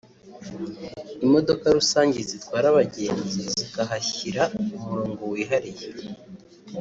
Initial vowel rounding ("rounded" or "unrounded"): unrounded